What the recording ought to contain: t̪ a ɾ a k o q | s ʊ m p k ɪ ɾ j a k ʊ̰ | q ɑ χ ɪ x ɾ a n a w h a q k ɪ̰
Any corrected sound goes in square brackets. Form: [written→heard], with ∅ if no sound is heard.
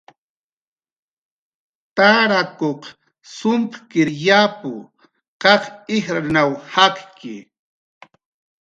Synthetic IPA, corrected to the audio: t̪ a ɾ a k o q | s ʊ m p k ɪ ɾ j a [k→p] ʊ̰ | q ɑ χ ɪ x ɾ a n a w h a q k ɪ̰

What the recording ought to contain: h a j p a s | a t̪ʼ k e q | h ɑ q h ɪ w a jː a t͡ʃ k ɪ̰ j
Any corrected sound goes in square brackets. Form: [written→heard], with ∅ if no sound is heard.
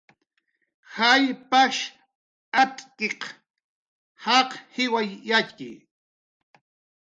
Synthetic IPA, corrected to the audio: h a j p a [s→ʃ] | a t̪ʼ k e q | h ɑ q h ɪ w a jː a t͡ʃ k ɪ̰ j

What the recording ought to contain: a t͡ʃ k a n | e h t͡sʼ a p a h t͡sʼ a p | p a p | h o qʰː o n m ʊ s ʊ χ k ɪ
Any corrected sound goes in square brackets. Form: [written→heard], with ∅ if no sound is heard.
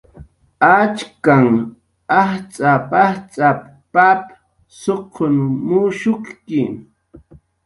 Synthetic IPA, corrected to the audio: a t͡ʃ k a [n→ŋ] | [e→a] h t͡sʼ a p a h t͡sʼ a p | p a p | [h→s] o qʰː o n m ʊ [s→ʃ] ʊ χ k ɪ

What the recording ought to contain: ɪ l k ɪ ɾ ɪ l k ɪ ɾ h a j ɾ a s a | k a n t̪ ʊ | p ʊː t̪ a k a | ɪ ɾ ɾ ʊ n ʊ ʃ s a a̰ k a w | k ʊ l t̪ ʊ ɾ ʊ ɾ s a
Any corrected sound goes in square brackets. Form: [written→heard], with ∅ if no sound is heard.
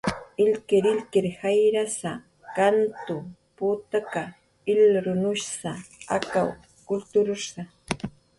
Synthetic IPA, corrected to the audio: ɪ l k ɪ ɾ ɪ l k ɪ ɾ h a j ɾ a s a | k a n t̪ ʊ | p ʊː t̪ a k a | ɪ [ɾ→l] ɾ ʊ n ʊ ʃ s a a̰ k a w | k ʊ l t̪ ʊ ɾ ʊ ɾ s a

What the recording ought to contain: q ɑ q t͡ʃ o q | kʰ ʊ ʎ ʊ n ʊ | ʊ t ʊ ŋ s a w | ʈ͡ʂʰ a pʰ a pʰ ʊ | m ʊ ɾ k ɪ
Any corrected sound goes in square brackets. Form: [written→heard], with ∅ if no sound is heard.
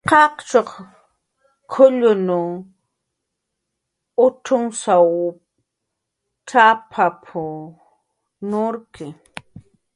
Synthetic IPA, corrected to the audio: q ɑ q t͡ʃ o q | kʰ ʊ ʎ ʊ n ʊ | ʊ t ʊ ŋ s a w | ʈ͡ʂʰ a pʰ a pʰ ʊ | [m→n] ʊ ɾ k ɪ

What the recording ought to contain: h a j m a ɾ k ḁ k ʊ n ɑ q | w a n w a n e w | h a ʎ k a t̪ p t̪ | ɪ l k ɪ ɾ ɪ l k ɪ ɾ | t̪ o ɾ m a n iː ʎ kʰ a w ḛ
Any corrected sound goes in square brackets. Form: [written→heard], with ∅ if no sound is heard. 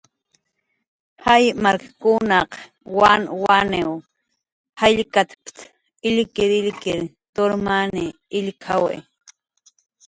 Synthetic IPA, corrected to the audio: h a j m a ɾ k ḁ k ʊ n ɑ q | w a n w a n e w | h a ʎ k a t̪ p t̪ | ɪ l k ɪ ɾ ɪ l k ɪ ɾ | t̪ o ɾ m a n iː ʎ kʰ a w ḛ

